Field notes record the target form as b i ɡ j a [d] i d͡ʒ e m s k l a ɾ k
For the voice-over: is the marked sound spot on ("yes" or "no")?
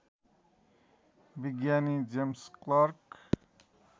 no